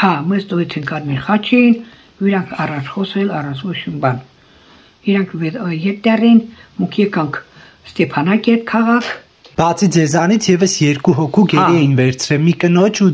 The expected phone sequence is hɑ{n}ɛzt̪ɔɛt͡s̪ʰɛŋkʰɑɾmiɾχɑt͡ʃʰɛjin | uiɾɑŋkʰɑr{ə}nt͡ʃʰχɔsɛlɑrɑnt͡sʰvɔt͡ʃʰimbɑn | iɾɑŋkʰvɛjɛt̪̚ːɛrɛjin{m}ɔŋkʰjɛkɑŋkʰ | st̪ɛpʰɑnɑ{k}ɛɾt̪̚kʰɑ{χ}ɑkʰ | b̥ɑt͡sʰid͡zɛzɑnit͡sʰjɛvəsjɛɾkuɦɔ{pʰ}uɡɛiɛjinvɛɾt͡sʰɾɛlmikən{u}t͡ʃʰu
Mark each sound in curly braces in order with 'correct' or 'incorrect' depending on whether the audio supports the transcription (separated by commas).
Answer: incorrect, incorrect, correct, correct, incorrect, incorrect, incorrect